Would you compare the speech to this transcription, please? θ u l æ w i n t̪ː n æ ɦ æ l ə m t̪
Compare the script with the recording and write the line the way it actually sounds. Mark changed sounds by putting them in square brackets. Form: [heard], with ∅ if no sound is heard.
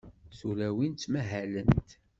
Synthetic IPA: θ u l æ w i n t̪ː [m] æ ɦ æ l ə [n] t̪

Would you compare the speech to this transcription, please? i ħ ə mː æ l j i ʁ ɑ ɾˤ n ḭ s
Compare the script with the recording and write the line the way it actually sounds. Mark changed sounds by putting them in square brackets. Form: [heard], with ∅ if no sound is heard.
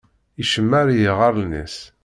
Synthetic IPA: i [ʃ] ə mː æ [ɾ] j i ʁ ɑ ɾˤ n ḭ s

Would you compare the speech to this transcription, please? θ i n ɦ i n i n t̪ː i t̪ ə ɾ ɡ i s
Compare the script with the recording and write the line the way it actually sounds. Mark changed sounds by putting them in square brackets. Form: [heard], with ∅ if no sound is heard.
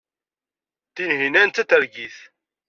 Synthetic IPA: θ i n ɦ i n [æ] n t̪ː [æ] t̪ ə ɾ ɡ i [θ]

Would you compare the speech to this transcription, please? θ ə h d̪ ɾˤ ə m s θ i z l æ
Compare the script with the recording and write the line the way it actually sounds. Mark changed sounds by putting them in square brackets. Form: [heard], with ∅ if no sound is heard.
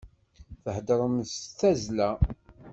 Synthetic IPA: θ ə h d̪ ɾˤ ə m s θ [æ] z l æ

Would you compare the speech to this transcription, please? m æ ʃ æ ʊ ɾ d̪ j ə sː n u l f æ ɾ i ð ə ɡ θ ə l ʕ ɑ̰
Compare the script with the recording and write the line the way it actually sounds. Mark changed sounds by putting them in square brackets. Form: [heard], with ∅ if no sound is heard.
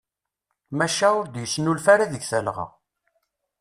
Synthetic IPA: m æ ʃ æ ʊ ɾ d̪ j ə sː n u l f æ ɾ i ð ə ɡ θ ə l [ʁ] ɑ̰

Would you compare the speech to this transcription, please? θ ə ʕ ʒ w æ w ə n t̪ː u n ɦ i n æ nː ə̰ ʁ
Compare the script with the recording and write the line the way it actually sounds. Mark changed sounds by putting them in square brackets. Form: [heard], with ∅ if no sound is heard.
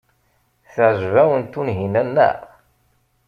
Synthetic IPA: θ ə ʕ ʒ [v] æ w ə n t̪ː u n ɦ i n æ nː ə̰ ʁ

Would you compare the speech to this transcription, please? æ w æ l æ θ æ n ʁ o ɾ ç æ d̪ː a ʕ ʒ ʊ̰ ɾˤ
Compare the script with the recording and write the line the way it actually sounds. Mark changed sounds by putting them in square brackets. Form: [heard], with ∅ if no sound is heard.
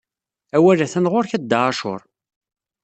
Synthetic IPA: æ w æ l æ θ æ n ʁ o ɾ ç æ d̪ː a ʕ [ʃ] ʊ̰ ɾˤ

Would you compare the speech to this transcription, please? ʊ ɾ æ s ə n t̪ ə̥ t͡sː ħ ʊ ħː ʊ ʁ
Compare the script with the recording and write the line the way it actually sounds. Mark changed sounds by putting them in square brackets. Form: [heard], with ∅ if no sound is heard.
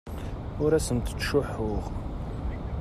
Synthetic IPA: ʊ ɾ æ s ə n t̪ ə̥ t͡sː [ʃ] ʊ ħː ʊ ʁ

